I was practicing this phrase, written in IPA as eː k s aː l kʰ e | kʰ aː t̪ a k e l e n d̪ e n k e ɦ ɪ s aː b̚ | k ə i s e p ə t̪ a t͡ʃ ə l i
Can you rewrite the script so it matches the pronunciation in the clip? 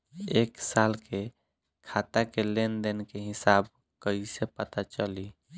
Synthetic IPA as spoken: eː k s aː l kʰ e | kʰ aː t̪ a k e l e n d̪ e n k e ɦ ɪ s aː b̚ | k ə i s e p ə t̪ a t͡ʃ ə l i